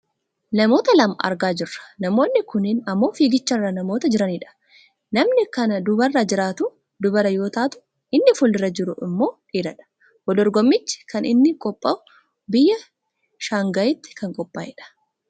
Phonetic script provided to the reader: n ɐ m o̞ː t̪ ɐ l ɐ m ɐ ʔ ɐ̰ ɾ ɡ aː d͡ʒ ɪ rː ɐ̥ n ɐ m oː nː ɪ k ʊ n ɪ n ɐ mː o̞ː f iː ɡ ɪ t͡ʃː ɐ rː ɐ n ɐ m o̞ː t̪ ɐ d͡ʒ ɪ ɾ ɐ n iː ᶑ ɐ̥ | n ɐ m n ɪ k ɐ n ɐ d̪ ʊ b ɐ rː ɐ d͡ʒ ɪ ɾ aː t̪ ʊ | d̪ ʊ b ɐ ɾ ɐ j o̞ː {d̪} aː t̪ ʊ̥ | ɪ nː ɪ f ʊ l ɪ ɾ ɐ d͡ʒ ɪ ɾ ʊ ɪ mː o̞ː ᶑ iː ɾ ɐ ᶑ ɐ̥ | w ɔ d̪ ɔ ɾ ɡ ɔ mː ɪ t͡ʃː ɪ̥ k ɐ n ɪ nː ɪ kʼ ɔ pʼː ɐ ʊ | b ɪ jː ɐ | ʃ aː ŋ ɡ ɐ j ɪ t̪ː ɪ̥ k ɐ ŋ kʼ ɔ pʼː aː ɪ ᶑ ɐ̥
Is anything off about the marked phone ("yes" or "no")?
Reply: yes